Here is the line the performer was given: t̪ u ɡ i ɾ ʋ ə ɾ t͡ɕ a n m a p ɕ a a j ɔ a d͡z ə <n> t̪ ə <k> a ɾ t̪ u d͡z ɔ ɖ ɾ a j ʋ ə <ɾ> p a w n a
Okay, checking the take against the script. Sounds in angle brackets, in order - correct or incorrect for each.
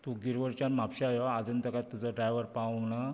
correct, correct, correct

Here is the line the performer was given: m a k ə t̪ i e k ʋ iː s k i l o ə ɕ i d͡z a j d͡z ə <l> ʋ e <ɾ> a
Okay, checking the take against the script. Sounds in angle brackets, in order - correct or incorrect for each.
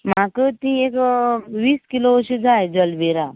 correct, correct

